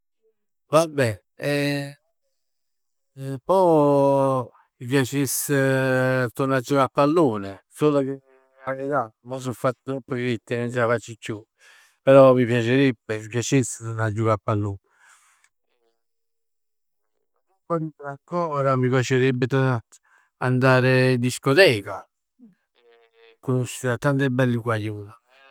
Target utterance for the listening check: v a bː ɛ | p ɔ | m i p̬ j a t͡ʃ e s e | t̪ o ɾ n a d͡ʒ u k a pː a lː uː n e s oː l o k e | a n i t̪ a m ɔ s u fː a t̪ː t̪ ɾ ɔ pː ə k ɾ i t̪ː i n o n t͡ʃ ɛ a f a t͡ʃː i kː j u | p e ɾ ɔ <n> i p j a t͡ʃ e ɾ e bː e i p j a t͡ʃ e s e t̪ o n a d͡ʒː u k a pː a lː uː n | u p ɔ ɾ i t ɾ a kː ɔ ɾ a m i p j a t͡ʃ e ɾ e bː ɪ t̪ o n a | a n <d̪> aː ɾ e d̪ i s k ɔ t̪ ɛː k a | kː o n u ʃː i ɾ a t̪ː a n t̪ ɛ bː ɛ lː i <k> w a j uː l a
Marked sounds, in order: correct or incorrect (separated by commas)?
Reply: incorrect, correct, correct